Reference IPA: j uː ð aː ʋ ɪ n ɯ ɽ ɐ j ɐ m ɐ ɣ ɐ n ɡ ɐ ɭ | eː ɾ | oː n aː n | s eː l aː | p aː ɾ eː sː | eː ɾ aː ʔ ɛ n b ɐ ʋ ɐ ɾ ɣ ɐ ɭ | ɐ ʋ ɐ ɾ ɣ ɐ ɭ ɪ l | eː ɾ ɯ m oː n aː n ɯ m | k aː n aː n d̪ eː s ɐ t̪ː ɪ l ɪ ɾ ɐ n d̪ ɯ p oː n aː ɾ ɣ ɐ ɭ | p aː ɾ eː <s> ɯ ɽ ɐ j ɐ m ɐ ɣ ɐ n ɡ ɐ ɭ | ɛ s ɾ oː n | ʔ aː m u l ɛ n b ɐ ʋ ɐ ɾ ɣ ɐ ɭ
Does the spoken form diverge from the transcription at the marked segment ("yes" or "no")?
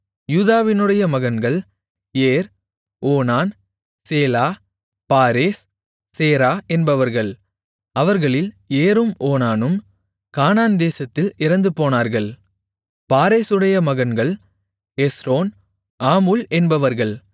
no